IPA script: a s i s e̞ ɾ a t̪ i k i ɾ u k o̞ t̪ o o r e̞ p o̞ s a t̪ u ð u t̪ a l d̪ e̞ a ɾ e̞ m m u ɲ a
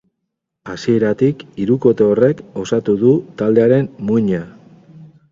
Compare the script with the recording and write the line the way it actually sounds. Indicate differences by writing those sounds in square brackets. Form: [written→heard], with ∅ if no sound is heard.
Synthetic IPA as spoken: a s i [s→∅] e̞ ɾ a t̪ i k i ɾ u k o̞ t̪ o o r e̞ [p→k] o̞ s a t̪ u ð u t̪ a l d̪ e̞ a ɾ e̞ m m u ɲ a